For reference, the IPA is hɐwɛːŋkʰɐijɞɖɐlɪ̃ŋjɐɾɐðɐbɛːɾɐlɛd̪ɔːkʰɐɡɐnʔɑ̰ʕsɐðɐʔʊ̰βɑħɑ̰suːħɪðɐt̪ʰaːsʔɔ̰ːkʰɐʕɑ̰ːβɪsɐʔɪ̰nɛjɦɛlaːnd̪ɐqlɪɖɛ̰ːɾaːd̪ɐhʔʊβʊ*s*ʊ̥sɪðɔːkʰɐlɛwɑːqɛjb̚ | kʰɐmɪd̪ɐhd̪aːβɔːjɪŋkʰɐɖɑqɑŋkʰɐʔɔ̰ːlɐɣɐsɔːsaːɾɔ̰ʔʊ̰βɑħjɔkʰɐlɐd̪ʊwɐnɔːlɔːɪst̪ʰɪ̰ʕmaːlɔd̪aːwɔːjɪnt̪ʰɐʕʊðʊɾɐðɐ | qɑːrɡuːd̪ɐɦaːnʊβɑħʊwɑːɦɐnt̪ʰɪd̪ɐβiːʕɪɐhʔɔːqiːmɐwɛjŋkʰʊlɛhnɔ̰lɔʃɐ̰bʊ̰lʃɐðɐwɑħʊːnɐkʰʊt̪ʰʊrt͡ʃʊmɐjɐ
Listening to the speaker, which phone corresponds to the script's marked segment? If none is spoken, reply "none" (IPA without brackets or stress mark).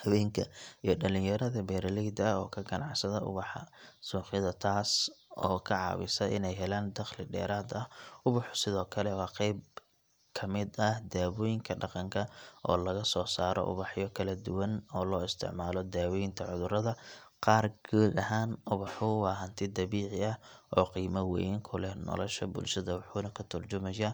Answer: ħ